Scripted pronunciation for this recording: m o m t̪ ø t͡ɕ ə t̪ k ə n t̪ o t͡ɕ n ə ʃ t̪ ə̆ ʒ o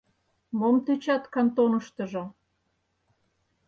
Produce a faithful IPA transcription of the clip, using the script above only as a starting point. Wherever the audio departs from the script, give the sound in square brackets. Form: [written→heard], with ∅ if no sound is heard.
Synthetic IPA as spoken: m o m t̪ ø t͡ɕ [ə→ɑ] t̪ k [ə→ɑ] n t̪ o [t͡ɕ→∅] n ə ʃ t̪ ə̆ ʒ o